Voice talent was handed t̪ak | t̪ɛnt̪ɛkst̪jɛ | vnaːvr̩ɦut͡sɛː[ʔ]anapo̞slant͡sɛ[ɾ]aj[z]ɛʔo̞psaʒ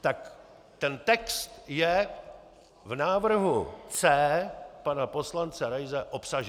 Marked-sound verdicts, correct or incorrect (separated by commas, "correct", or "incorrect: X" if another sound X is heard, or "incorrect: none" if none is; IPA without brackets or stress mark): incorrect: p, correct, correct